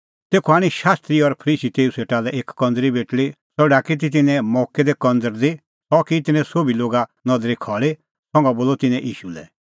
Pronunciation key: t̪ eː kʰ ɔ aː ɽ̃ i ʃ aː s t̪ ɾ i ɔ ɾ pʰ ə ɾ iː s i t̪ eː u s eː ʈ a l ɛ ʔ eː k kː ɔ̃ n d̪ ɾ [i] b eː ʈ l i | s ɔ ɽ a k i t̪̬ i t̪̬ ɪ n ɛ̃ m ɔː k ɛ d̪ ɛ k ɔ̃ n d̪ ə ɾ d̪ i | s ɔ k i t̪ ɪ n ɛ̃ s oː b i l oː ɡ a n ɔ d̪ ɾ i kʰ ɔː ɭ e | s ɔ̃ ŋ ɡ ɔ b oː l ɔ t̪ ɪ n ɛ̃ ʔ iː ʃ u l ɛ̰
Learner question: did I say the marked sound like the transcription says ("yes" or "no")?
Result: yes